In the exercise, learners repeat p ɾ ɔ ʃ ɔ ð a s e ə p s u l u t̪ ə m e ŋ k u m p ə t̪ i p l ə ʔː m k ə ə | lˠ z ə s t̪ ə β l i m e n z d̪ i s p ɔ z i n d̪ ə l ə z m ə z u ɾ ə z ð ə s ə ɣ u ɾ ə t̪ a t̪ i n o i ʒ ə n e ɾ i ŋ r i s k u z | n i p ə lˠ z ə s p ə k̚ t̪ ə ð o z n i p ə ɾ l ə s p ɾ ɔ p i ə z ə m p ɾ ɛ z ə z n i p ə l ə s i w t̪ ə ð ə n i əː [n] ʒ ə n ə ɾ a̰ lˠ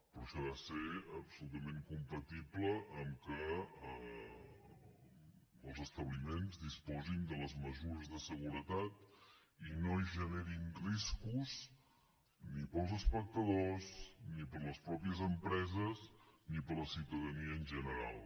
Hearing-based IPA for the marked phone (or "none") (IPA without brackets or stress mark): n